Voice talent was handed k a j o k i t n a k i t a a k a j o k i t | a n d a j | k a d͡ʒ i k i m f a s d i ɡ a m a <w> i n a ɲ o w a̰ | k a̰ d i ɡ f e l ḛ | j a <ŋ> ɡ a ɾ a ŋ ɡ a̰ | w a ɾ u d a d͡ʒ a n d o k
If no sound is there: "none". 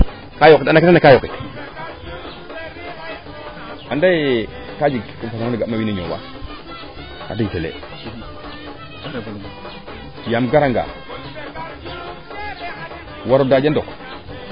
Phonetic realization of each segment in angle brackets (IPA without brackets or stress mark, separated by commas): w, m